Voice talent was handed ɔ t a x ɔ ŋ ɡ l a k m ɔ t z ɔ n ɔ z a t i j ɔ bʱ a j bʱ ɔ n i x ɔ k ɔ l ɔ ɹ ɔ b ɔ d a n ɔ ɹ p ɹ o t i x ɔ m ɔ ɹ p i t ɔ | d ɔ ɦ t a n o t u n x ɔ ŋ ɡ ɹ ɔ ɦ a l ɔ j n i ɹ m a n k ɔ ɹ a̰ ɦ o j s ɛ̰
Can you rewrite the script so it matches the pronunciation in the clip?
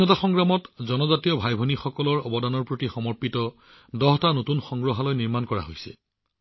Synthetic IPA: ɔ t a x ɔ ŋ ɡ ɹ a m ɔ t z ɔ n ɔ z a t i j ɔ bʱ a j bʱ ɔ n i x ɔ k ɔ l ɔ ɹ ɔ b ɔ d a n ɔ ɹ p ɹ o t i x ɔ m ɔ ɹ p i t ɔ | d ɔ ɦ t a n o t u n x ɔ ŋ ɡ ɹ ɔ ɦ a l ɔ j n i ɹ m a n k ɔ ɹ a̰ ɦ o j s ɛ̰